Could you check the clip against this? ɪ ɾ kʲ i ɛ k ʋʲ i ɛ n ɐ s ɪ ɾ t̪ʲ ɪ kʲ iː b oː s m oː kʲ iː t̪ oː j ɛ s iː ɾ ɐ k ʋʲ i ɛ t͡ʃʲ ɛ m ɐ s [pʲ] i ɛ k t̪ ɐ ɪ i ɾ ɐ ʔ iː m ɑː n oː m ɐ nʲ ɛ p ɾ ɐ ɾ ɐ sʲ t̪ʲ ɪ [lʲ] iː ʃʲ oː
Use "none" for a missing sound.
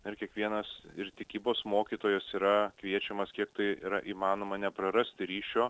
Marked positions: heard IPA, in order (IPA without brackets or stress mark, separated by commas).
kʲ, ɾʲ